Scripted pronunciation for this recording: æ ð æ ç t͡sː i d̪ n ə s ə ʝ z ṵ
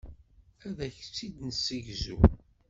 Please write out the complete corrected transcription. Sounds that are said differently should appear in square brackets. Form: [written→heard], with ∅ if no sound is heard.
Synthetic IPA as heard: æ ð æ ç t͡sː i d̪ n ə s ə ʝ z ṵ